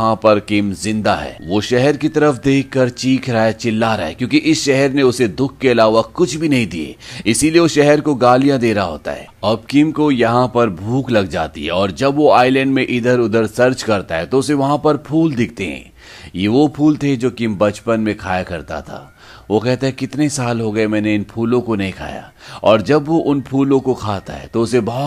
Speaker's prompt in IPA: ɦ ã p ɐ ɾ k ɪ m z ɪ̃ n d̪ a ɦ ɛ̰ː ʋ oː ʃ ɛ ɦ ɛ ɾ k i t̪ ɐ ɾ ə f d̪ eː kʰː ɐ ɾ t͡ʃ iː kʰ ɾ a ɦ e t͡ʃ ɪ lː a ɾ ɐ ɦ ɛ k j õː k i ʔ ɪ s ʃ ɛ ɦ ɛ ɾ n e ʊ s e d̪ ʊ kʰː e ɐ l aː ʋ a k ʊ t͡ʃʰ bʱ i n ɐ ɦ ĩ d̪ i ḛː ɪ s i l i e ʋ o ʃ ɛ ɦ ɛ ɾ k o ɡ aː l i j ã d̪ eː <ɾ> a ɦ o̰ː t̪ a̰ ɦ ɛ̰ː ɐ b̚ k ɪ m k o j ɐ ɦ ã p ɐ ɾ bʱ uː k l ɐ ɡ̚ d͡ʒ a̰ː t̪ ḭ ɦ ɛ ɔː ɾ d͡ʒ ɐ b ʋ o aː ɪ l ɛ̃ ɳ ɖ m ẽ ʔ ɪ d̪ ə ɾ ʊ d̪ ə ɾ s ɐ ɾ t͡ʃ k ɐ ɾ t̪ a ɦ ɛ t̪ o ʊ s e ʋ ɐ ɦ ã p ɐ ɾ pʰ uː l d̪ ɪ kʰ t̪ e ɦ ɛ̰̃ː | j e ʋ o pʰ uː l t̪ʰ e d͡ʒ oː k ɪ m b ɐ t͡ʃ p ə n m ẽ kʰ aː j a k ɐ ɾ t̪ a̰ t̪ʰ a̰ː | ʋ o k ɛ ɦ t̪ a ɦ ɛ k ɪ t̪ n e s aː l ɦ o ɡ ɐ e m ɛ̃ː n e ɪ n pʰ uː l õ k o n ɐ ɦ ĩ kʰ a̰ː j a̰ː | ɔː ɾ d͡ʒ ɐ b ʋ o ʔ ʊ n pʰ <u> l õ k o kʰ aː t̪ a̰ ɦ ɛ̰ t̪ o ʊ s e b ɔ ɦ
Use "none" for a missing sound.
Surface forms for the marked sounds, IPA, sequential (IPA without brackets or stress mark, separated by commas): ɾ, uː